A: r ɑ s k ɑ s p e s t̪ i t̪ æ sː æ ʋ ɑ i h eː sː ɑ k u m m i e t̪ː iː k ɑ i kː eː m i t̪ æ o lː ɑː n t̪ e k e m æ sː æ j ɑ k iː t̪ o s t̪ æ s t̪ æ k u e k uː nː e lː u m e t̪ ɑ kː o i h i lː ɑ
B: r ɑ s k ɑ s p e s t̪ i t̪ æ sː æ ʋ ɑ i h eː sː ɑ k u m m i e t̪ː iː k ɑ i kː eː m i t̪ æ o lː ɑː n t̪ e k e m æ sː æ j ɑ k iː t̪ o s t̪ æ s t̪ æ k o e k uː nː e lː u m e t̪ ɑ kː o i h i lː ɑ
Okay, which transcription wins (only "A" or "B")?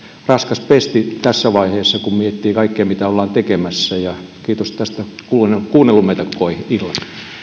A